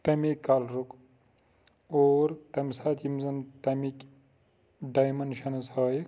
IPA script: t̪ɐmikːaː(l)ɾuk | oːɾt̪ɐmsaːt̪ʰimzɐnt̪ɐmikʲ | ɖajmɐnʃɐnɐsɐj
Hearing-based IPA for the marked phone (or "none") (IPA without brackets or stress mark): l